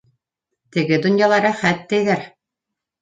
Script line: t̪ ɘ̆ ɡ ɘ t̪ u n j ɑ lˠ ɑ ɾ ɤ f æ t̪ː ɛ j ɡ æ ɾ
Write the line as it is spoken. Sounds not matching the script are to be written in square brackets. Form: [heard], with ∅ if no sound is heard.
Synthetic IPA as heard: t̪ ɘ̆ ɡ ɘ [d̪] u n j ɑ lˠ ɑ ɾ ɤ [χ] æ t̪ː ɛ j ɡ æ ɾ